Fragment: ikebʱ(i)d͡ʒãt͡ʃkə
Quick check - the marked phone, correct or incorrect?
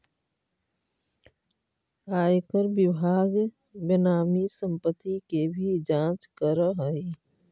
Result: correct